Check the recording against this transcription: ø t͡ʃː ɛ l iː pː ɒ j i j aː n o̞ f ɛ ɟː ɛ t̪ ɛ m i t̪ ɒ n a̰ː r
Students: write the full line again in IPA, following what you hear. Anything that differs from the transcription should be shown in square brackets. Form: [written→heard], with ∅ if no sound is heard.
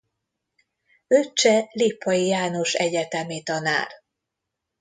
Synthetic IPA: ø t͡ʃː ɛ l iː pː ɒ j i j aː n o̞ [f→ʃ] ɛ [ɟː→ɟ] ɛ t̪ ɛ m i t̪ ɒ n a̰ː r

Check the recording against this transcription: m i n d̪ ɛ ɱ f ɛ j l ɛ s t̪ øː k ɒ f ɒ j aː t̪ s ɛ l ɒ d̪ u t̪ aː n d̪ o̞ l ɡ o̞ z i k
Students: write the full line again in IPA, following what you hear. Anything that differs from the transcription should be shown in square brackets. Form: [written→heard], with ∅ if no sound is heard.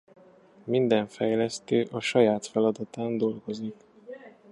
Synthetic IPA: m i n d̪ ɛ ɱ f ɛ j l ɛ s t̪ øː [k→ʔ] ɒ [f→ʃ] ɒ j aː t̪ [s→f] ɛ l ɒ d̪ [u→ɒ] t̪ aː n d̪ o̞ l ɡ o̞ z i k

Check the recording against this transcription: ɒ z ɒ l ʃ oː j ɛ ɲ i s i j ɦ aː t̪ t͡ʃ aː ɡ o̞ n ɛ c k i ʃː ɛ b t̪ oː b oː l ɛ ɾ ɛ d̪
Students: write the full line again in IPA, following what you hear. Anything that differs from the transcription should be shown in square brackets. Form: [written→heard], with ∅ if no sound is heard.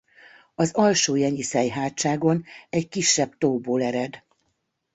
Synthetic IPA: ɒ z ɒ l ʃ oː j ɛ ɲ i s [i→ɛ] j ɦ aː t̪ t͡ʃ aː ɡ o̞ n ɛ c k i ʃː ɛ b t̪ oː b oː l ɛ ɾ ɛ d̪

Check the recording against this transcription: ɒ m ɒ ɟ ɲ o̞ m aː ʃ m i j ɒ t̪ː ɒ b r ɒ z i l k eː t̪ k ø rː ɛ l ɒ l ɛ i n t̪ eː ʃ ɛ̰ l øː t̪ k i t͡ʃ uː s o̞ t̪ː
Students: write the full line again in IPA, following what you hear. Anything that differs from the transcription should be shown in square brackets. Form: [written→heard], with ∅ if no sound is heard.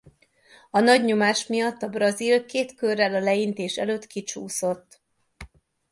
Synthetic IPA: ɒ [m→n] ɒ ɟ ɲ o̞ m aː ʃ m i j ɒ t̪ː ɒ b r ɒ z i l k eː t̪ k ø rː ɛ l ɒ l ɛ i n t̪ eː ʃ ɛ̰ l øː t̪ k i t͡ʃ uː s o̞ t̪ː

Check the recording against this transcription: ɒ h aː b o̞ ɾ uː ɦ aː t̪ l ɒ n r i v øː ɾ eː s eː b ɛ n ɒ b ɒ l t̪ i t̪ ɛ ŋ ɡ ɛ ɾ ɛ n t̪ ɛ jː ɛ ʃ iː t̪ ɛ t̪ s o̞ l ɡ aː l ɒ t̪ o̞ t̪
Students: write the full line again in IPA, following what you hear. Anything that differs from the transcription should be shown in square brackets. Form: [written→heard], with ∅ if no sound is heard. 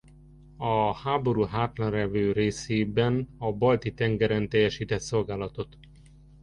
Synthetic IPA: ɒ h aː b o̞ ɾ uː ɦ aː t̪ l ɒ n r [i→ɛ] v øː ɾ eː s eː b ɛ n ɒ b ɒ l t̪ i t̪ ɛ ŋ ɡ ɛ ɾ ɛ n t̪ ɛ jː ɛ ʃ iː t̪ ɛ t̪ s o̞ l ɡ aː l ɒ t̪ o̞ t̪

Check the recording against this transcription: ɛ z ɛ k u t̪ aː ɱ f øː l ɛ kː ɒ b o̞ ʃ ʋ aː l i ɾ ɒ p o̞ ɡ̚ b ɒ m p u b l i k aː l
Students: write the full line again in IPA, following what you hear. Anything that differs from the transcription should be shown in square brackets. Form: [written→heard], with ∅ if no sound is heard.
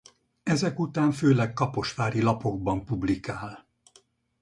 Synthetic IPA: ɛ z ɛ k u t̪ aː ɱ f øː l ɛ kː ɒ [b→p] o̞ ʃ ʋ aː [l→ɾ] i [ɾ→l] ɒ p o̞ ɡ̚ b ɒ m p u b l i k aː l

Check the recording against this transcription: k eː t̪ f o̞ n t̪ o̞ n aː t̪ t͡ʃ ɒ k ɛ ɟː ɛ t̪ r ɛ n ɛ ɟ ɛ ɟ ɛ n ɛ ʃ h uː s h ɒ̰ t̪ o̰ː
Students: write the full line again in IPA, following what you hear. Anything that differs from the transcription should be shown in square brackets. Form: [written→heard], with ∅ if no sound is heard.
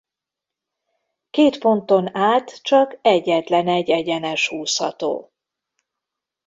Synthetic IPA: k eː t̪ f o̞ n t̪ o̞ n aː t̪ t͡ʃ ɒ k ɛ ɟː ɛ t̪ [r→l] ɛ n ɛ ɟ ɛ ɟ ɛ n ɛ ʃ h uː s h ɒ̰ t̪ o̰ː

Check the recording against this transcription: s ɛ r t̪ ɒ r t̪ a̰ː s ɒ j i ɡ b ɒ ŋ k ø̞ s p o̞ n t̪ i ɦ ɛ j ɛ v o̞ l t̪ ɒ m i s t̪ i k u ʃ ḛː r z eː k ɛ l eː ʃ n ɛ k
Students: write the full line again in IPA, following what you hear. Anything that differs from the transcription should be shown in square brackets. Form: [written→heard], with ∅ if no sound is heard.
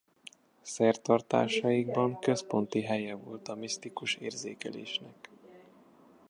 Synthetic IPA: s ɛ r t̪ ɒ r t̪ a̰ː [s→ʃ] ɒ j i ɡ b ɒ ŋ k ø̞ s p o̞ n t̪ i ɦ ɛ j ɛ v o̞ l t̪ ɒ m i s t̪ i k u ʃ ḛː r z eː k ɛ l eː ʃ n ɛ k

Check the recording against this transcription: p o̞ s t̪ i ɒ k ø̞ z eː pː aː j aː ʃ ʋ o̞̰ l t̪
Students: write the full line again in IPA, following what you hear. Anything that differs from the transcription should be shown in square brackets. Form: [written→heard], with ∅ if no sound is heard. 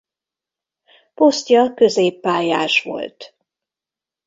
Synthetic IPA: p o̞ s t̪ [i→j] ɒ k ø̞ z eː pː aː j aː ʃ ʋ o̞̰ l t̪

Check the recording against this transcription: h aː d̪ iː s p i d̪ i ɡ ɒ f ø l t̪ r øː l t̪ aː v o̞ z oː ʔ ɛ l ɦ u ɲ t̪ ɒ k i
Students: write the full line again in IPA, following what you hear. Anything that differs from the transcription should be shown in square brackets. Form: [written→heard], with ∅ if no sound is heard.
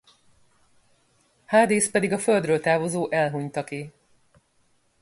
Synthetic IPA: h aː d̪ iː s p [i→ɛ] d̪ i ɡ ɒ f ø l [t̪→d̪] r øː l t̪ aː v o̞ z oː ʔ ɛ l ɦ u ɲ t̪ ɒ k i

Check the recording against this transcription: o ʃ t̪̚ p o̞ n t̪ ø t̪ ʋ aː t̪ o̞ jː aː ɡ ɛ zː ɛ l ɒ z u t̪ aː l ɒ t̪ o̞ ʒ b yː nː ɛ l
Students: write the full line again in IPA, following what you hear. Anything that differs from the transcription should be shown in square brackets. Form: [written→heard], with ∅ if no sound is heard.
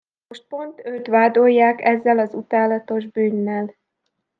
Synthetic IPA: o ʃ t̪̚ p o̞ n t̪ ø t̪ ʋ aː [t̪→d̪] o̞ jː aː [ɡ→k] ɛ zː ɛ l ɒ z u t̪ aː l ɒ t̪ o̞ ʒ b yː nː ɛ l

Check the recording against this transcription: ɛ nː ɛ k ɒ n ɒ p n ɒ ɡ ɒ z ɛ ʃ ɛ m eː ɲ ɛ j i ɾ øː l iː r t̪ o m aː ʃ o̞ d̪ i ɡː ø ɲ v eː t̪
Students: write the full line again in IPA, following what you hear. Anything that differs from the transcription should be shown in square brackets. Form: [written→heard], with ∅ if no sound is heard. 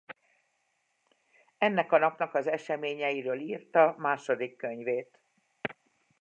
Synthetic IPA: ɛ nː ɛ k ɒ n ɒ p n ɒ [ɡ→k] ɒ z ɛ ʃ ɛ m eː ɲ ɛ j i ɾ øː l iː r t̪ [o→ɒ] m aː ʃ o̞ d̪ i [ɡː→kː] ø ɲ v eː t̪

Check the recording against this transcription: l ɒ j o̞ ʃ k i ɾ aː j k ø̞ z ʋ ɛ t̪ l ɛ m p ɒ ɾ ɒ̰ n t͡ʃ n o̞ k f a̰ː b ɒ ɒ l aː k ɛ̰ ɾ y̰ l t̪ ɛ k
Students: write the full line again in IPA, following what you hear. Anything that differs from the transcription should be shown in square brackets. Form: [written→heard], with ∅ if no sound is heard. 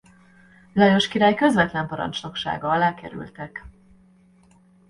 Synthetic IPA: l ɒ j o̞ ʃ k i ɾ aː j k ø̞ z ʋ ɛ t̪ l ɛ m p ɒ ɾ ɒ̰ n t͡ʃ n o̞ k [f→ʃ] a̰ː [b→ɡ] ɒ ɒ l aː k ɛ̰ ɾ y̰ l t̪ ɛ k

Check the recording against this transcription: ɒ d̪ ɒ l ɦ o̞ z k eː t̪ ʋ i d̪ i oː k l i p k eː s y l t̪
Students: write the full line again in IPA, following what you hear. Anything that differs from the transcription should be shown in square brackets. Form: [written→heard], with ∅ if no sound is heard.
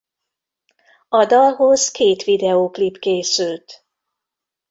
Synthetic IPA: ɒ d̪ ɒ l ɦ o̞ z k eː t̪ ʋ i d̪ [i→ɛ] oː k l i p k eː s y l t̪

